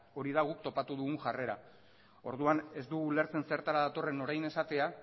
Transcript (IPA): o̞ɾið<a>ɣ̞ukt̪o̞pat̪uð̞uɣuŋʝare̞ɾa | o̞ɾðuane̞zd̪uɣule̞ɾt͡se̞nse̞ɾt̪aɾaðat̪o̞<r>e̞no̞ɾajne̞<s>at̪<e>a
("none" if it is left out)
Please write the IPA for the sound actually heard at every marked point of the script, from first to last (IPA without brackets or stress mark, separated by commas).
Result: a, r, s, e